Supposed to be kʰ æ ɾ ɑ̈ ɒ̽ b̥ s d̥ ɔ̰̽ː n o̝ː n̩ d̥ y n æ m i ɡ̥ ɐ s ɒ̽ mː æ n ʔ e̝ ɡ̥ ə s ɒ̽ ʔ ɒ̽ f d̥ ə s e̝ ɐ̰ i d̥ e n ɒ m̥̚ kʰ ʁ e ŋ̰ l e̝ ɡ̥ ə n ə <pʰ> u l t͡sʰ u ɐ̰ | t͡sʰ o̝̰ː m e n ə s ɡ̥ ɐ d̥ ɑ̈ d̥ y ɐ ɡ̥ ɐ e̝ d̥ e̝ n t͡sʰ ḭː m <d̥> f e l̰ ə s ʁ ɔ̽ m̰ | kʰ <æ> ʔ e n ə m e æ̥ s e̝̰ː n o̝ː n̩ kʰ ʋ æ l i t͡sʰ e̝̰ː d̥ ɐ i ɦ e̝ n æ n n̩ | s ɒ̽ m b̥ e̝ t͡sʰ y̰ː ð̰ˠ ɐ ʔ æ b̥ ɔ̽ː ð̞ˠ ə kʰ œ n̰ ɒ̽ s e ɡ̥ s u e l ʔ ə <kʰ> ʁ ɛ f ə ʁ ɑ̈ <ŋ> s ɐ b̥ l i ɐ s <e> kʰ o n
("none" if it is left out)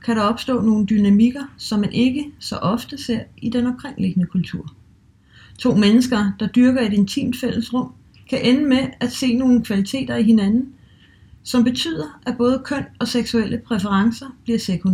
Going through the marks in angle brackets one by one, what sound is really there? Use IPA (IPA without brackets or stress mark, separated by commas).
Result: kʰ, d̥, æ, pʰ, ŋ, e